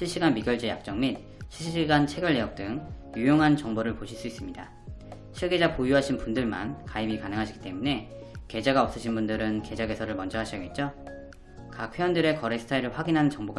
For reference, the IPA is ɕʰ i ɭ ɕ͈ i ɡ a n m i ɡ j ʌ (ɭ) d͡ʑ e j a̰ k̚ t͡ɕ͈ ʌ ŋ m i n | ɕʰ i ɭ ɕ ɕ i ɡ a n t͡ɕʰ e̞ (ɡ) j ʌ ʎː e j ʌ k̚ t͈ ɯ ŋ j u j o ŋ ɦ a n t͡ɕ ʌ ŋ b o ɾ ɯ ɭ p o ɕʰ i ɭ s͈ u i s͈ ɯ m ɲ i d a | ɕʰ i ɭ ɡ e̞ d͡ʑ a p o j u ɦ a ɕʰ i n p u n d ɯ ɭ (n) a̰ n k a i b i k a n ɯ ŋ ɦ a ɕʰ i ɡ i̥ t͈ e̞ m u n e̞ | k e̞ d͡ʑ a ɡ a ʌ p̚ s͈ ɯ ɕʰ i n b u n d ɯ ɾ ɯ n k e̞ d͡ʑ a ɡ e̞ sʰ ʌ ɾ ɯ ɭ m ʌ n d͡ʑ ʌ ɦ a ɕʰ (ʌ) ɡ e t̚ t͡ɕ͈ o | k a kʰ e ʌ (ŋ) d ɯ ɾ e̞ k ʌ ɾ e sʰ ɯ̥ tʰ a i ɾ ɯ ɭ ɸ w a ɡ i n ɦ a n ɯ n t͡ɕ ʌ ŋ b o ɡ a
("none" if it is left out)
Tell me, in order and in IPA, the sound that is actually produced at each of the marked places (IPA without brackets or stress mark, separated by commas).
ɭ, ɡ, m, ʌ, n